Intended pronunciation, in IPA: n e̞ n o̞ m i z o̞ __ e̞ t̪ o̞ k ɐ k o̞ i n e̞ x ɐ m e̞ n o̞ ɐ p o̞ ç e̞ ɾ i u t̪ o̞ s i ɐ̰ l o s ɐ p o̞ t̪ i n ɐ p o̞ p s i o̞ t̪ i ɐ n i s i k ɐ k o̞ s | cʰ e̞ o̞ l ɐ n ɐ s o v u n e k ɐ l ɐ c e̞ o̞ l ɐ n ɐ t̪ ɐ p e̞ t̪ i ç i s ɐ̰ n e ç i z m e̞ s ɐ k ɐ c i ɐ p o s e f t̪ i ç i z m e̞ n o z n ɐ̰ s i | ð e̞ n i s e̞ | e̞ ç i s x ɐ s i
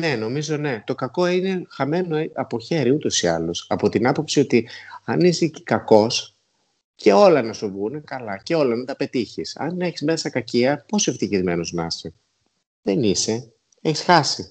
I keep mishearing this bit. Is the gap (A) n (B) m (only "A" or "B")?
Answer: A